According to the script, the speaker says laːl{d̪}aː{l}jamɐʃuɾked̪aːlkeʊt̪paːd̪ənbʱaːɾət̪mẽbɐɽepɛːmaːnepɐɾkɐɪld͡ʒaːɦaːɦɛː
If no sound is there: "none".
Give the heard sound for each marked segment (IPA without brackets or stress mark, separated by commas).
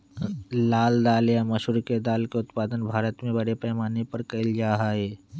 d̪, l